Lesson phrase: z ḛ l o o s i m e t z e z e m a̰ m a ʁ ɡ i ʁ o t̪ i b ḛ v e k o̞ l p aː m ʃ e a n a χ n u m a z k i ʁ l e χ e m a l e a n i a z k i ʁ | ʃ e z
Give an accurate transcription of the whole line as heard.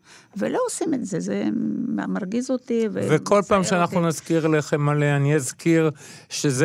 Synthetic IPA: v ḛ l o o s i m e t z e z e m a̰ m a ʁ ɡ i z o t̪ i v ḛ v e k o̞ l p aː m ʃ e a n a χ n u n a z k i ʁ l e χ e m a l e a n i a z k i ʁ | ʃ e z